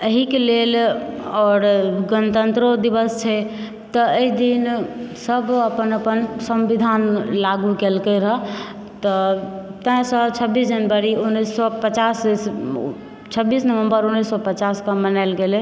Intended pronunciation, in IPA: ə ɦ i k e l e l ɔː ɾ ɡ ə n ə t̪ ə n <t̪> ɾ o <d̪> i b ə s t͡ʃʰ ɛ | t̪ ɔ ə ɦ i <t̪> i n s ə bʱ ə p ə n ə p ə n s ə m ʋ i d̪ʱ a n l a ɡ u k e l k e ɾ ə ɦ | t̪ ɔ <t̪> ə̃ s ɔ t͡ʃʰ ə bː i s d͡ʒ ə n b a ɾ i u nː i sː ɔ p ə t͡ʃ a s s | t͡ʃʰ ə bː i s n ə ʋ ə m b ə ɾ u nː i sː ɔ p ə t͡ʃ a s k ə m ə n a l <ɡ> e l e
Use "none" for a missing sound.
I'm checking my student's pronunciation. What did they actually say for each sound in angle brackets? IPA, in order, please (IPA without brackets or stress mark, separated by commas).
t̪, d̪, d̪, t̪, ɡ